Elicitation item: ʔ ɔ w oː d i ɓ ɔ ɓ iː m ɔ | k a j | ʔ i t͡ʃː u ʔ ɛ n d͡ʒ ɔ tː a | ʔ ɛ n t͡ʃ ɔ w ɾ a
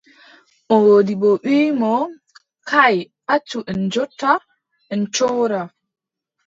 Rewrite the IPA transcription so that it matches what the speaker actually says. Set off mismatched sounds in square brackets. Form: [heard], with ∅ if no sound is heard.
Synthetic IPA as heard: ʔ ɔ w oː d i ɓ ɔ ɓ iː m ɔ | k a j | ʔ [a] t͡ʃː u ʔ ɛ n d͡ʒ ɔ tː a | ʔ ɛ n t͡ʃ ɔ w ɾ a

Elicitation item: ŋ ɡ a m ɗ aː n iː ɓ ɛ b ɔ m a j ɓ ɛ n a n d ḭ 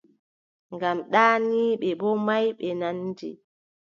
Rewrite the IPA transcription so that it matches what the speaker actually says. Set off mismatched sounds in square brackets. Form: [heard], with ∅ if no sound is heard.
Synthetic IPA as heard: ŋ ɡ a m ɗ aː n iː ɓ ɛ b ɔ m a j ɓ ɛ n a n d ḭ

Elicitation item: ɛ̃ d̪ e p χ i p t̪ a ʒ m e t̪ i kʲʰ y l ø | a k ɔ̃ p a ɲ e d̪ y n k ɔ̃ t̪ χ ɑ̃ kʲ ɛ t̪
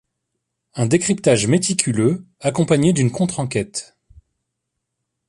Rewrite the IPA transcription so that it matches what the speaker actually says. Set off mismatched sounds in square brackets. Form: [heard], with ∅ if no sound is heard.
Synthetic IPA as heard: ɛ̃ d̪ e [k] χ i p t̪ a ʒ m e t̪ i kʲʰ y l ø | a k ɔ̃ p a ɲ e d̪ y n k ɔ̃ t̪ χ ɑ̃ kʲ ɛ t̪

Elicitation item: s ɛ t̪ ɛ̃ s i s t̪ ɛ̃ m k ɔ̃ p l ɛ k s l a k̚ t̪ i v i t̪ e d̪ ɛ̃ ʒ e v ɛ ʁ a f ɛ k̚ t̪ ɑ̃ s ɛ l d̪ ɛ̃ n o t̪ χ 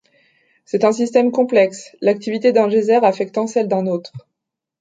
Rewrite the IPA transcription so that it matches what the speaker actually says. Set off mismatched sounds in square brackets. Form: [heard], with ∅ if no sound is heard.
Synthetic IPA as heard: s ɛ t̪ ɛ̃ s i s t̪ [ɛ] m k ɔ̃ p l ɛ k s l a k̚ t̪ i v i t̪ e d̪ ɛ̃ ʒ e [z] ɛ ʁ a f ɛ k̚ t̪ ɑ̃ s ɛ l d̪ ɛ̃ n o t̪ χ

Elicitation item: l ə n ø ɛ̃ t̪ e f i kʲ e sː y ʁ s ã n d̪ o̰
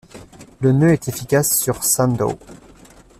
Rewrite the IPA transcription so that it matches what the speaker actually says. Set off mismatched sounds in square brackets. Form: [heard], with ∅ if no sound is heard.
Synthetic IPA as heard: l ə n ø [ɛ] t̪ e f i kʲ [a] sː y ʁ s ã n d̪ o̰

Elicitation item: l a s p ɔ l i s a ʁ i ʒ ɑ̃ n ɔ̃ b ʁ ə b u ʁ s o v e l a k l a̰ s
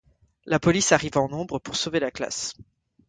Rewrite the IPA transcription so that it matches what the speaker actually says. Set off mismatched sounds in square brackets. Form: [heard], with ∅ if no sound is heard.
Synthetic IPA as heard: l a [∅] p ɔ l i s a ʁ i [v] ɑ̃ n ɔ̃ b ʁ ə [p] u ʁ s o v e l a k l a̰ s

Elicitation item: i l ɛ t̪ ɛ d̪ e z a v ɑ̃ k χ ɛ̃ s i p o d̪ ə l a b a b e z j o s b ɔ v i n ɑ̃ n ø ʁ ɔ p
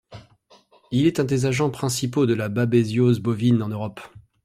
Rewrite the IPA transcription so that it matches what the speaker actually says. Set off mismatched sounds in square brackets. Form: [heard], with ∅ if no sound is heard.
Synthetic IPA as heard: i l ɛ t̪ [ɛ̃] d̪ e z a [ʒ] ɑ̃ [p] χ ɛ̃ s i p o d̪ ə l a b a b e z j o [z] b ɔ v i n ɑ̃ n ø ʁ ɔ p

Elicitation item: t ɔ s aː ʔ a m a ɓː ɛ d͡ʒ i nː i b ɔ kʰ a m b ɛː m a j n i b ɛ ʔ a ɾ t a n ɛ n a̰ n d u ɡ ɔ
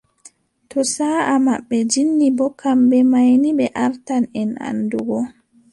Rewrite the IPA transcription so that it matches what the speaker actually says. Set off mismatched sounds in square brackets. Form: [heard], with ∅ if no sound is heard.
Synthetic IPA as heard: t ɔ s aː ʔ a m a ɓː ɛ d͡ʒ i nː i b ɔ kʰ a m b [ɛ] m a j n i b ɛ ʔ a ɾ t a n ɛ n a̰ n d u ɡ ɔ

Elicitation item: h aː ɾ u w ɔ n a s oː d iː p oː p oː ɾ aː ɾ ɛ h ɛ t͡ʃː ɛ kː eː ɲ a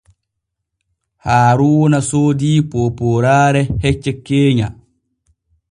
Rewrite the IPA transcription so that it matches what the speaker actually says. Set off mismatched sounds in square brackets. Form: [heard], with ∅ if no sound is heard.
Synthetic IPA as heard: h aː ɾ u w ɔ n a s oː d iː p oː p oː ɾ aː ɾ ɛ h ɛ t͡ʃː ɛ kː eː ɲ a

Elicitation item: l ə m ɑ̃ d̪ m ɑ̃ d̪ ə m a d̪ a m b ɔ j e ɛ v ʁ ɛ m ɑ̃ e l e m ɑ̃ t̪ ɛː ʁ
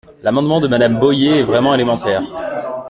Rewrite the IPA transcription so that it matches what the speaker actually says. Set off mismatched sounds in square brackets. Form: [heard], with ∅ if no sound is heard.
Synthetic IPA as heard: l [a] m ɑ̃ d̪ m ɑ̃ d̪ ə m a d̪ a m b ɔ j e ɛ v ʁ ɛ m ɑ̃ e l e m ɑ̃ t̪ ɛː ʁ

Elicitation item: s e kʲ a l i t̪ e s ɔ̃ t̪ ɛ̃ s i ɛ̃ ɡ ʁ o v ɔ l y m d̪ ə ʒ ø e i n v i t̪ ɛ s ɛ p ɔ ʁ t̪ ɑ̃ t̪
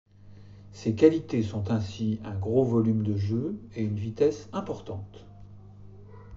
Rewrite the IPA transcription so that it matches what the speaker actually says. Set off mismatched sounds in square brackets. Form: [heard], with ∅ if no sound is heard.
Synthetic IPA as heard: s e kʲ a l i t̪ e s ɔ̃ t̪ ɛ̃ s i ɛ̃ ɡ ʁ o v ɔ l y m d̪ ə ʒ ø e [y] n v i t̪ ɛ s [ɛ̃] p ɔ ʁ t̪ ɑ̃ t̪

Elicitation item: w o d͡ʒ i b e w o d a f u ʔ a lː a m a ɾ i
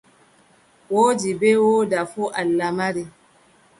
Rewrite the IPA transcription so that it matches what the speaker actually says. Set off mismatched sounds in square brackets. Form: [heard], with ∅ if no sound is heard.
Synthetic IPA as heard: w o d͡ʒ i b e w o d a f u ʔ a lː a m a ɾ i

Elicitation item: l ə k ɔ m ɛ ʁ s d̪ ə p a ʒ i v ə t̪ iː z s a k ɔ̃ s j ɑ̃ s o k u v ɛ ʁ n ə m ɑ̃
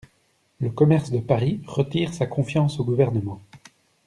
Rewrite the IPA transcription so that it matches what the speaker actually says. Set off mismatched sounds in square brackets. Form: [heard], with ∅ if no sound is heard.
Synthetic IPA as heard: l ə k ɔ m ɛ ʁ s d̪ ə p a [ʁ] i [ʁ] ə t̪ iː [ʁ] s a k ɔ̃ [f] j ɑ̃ s o [ɡ] u v ɛ ʁ n ə m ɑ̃

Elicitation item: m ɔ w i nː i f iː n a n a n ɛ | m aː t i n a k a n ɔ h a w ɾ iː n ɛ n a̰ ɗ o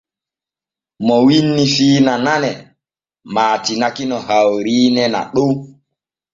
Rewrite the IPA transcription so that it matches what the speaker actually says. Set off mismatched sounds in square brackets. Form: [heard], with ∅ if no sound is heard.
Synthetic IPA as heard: m ɔ w i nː i f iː n a n a n ɛ | m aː t i n a k [i] n ɔ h a w ɾ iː n ɛ n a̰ ɗ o

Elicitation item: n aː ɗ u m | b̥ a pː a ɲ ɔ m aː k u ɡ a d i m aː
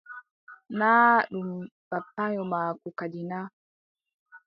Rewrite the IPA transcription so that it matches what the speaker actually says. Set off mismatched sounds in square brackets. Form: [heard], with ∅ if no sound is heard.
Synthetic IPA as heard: n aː ɗ u m | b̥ a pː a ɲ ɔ m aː k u [k] a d i [n] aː

